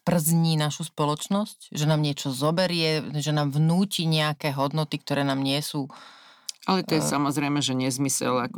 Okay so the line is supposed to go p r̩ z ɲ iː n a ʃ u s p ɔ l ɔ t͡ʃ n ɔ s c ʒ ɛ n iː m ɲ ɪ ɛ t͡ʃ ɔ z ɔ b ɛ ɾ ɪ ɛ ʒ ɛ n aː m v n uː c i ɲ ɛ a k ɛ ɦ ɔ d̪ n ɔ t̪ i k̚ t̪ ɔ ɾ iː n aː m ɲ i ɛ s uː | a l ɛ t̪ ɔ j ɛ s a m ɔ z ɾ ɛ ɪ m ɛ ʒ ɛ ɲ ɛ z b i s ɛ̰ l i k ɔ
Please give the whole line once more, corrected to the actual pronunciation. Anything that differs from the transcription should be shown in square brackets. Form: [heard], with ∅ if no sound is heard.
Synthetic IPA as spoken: p r̩ z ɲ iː n a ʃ u s p ɔ l ɔ t͡ʃ n ɔ s c ʒ ɛ n [aː] m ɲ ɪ ɛ t͡ʃ ɔ z ɔ b ɛ ɾ ɪ ɛ ʒ ɛ n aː m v n uː c i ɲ ɛ a k ɛ ɦ ɔ d̪ n ɔ t̪ i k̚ t̪ ɔ ɾ [ɛː] n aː m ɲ [ɪ] ɛ s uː | a l ɛ t̪ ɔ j ɛ s a m ɔ z ɾ ɛ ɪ m ɛ ʒ ɛ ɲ ɛ z [m] i s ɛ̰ l [a] k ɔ